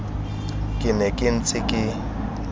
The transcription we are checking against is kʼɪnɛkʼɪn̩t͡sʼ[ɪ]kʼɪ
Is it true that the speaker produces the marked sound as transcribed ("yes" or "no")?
yes